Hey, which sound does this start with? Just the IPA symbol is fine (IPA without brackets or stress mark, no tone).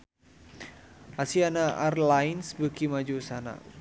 a